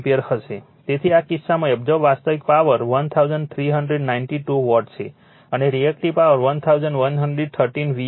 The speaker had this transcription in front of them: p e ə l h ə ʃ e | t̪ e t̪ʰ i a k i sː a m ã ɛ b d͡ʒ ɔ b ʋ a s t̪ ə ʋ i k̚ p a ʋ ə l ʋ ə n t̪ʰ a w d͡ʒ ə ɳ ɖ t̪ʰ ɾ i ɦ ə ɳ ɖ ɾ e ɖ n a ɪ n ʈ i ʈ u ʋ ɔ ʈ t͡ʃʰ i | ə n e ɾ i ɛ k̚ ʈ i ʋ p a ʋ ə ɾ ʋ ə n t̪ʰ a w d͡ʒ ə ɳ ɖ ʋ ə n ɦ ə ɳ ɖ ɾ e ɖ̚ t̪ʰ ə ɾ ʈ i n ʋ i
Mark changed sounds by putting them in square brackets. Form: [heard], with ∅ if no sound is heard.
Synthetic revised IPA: p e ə [ɾ] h ə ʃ e | t̪ e t̪ʰ i a k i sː a m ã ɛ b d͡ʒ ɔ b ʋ a s t̪ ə ʋ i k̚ p a ʋ ə [ɾ] ʋ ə n t̪ʰ a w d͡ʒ ə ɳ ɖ t̪ʰ ɾ i ɦ ə ɳ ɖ ɾ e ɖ n a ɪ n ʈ i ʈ u ʋ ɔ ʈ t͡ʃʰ [e] | ə n e ɾ i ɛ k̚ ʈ i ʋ p a ʋ ə ɾ ʋ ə n t̪ʰ a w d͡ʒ ə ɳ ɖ ʋ ə n ɦ ə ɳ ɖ ɾ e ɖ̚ t̪ʰ ə ɾ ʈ i n ʋ i

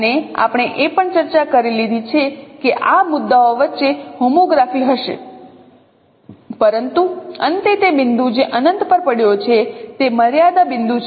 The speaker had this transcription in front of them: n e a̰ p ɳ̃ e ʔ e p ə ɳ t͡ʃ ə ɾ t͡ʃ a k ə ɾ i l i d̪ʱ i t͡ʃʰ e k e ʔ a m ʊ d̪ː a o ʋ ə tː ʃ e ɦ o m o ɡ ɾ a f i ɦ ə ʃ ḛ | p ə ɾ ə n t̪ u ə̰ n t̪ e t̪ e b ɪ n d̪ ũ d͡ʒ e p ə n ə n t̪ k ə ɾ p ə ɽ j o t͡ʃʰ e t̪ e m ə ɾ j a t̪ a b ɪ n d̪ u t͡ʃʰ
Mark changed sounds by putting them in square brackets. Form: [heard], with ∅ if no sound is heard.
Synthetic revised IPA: n e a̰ p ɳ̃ e ʔ e p ə ɳ t͡ʃ ə ɾ t͡ʃ a k ə ɾ i l i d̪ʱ i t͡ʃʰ e k e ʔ a m ʊ d̪ː a o ʋ ə tː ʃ e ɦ o m o ɡ ɾ a f i ɦ ə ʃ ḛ | p ə ɾ ə n t̪ u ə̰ n t̪ e t̪ e b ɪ n d̪ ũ d͡ʒ e [ʔ] ə n ə n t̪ [p] ə ɾ p ə ɽ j o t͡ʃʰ e t̪ e m ə ɾ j a [d̪] a b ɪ n d̪ u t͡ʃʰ

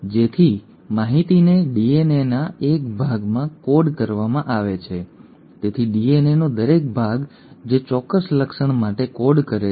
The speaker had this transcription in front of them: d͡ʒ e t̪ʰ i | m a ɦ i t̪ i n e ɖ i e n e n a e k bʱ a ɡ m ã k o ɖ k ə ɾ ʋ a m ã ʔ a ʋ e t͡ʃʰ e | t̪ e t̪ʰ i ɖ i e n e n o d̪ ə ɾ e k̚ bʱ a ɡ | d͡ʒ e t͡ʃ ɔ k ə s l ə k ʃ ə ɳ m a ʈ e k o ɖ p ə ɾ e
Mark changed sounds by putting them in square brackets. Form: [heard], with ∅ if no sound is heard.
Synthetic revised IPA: d͡ʒ e t̪ʰ i | m a ɦ i t̪ i n e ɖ i e n e n a e k bʱ a ɡ m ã k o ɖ k ə ɾ ʋ a m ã ʔ a ʋ e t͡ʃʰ e | t̪ e t̪ʰ i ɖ i e n e n o d̪ ə ɾ e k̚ bʱ a ɡ | d͡ʒ e t͡ʃ ɔ k ə s l ə k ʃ ə ɳ m a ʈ e k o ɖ [k] ə ɾ e

